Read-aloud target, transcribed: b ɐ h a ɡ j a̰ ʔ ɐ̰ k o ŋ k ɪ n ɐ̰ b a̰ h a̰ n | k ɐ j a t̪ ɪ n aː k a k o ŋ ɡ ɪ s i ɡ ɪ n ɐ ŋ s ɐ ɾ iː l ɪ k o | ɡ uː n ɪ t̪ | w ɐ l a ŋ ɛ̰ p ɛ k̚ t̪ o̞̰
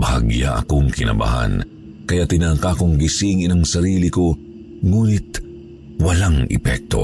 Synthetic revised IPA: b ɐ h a ɡ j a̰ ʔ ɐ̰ k o ŋ k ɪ n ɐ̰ b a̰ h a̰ n | k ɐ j a t̪ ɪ n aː k a k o ŋ ɡ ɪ s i ŋ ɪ n ɐ ŋ s ɐ ɾ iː l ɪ k o | ŋ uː n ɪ t̪ | w ɐ l a ŋ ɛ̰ p ɛ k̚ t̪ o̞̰